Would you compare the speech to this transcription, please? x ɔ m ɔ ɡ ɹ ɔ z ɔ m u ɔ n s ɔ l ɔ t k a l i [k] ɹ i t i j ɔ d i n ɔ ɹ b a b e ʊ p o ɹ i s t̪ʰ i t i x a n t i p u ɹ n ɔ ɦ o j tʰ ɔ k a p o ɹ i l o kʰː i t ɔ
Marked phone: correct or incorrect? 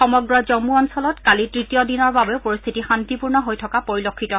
incorrect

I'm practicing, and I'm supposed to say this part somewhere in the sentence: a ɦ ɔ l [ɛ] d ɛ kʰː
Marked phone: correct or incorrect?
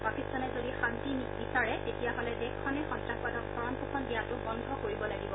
correct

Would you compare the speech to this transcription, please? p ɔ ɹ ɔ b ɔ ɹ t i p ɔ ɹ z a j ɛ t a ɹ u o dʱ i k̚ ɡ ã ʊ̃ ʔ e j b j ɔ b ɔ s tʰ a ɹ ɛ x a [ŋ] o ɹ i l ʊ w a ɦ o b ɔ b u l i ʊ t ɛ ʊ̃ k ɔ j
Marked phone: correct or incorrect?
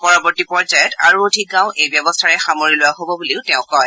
incorrect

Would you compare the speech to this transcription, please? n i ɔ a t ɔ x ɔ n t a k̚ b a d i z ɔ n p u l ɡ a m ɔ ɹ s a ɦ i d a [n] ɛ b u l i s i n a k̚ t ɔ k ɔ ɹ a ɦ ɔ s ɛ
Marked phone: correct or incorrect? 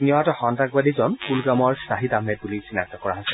incorrect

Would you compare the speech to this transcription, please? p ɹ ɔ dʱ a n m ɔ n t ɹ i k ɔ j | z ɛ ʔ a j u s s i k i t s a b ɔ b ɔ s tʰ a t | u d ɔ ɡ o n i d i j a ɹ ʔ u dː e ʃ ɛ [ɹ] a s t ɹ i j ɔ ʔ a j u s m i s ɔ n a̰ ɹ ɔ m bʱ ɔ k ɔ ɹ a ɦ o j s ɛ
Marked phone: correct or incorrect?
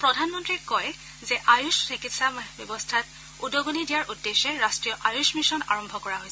correct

